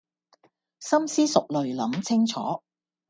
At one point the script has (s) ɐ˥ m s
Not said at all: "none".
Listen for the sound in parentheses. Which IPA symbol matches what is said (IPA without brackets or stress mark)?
s